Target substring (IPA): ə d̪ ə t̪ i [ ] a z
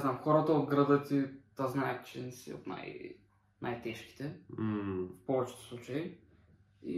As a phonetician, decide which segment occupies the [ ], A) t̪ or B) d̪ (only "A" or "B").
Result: A